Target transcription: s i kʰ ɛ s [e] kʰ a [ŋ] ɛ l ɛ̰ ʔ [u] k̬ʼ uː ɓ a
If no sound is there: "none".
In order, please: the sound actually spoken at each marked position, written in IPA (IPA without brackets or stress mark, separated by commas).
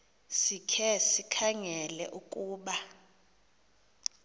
i, ŋ, u